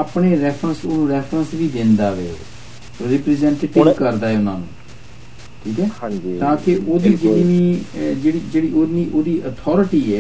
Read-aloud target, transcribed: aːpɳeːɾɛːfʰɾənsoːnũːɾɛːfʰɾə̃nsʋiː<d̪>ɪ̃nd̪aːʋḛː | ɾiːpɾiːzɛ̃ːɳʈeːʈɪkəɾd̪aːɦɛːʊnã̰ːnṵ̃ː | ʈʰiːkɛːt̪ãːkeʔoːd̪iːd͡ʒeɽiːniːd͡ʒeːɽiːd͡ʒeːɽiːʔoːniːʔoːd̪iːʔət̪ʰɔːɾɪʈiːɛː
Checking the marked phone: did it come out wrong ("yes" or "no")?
no